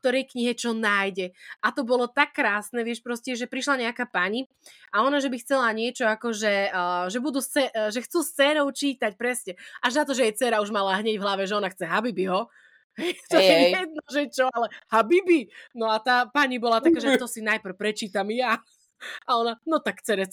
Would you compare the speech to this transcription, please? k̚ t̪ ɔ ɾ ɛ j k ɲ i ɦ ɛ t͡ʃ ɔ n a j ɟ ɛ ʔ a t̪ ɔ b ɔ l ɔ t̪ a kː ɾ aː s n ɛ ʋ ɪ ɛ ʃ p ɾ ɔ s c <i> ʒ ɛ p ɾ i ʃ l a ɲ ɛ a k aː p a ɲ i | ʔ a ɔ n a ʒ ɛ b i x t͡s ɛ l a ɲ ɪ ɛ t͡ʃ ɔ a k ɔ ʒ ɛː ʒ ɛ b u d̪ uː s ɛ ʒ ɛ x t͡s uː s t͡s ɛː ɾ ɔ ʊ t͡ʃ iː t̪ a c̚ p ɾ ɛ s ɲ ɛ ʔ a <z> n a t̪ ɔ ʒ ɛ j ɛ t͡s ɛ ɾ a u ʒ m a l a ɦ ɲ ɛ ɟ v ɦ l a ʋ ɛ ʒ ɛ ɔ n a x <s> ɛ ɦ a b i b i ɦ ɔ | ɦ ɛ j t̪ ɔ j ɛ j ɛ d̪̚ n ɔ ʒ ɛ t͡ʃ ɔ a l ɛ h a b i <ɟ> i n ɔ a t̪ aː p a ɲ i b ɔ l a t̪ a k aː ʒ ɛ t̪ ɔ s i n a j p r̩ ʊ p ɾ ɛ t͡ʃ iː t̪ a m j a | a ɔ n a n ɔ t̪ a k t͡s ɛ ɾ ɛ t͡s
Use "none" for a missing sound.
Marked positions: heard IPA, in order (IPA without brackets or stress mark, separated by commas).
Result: ɛ, ʒ, t͡s, b